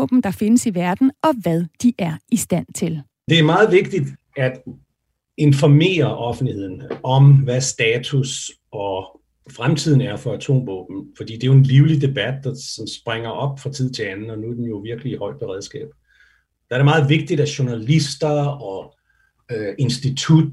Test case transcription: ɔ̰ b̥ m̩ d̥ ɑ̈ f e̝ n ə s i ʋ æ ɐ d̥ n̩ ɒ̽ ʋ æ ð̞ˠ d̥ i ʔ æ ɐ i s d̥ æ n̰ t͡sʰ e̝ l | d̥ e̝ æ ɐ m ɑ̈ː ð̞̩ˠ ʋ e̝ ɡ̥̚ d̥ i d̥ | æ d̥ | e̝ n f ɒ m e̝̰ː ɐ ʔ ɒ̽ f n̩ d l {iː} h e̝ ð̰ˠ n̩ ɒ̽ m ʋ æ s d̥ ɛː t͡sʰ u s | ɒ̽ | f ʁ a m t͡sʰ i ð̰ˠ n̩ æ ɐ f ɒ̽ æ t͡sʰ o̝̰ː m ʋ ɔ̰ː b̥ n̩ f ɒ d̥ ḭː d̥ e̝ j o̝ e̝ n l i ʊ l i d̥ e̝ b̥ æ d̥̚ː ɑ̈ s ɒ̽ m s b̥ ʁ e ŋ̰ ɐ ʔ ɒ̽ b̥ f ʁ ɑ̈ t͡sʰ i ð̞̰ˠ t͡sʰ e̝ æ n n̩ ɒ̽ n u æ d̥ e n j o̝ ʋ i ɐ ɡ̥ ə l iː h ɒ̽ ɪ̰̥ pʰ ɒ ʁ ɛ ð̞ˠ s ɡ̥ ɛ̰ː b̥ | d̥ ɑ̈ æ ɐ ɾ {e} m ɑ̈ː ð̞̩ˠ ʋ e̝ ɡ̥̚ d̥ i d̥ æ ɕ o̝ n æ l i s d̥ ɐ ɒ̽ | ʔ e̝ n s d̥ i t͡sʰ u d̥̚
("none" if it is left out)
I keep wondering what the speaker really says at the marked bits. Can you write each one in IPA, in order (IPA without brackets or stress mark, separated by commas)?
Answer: i, e